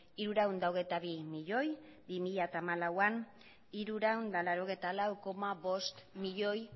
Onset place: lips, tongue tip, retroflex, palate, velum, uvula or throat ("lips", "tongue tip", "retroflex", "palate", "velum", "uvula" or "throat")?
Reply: tongue tip